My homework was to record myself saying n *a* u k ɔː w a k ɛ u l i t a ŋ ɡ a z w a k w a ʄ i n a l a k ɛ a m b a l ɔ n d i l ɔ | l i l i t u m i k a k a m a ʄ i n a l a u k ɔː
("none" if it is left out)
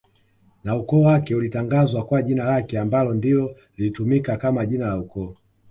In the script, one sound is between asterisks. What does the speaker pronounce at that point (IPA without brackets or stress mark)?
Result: a